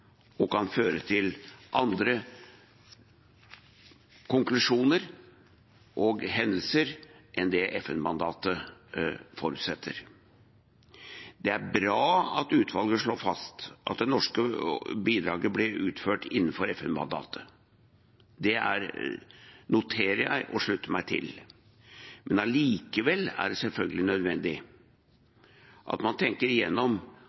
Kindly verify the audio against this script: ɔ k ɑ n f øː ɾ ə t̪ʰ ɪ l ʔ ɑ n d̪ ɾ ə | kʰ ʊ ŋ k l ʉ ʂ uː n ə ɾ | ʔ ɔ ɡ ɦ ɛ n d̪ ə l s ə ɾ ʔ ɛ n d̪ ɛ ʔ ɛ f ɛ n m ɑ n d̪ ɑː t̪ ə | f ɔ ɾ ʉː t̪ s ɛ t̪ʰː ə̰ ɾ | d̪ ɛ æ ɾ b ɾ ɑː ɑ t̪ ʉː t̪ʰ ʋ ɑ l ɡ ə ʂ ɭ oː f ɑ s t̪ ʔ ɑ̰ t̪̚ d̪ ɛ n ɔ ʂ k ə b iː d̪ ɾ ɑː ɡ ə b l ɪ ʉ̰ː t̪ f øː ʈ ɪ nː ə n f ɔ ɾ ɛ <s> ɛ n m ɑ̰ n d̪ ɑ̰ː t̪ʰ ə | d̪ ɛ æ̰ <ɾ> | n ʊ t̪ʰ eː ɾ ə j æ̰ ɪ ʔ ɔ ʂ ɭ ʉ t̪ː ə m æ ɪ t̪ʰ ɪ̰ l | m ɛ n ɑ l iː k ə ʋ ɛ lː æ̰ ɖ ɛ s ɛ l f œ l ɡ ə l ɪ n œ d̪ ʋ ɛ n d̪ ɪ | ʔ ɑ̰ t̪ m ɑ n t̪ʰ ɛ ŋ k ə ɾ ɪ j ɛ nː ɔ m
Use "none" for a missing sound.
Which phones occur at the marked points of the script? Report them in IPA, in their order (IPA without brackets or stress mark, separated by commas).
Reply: f, ɾ